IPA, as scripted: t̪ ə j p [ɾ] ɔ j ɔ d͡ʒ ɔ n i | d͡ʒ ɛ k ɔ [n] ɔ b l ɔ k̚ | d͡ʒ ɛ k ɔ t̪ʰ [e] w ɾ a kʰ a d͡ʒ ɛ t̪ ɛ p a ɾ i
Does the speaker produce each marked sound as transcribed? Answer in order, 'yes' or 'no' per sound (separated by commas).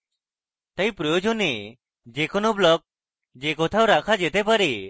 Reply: yes, yes, no